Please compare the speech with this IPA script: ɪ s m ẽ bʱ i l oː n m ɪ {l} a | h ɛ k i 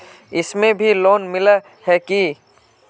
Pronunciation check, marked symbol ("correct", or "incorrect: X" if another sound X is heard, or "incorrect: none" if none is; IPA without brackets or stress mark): correct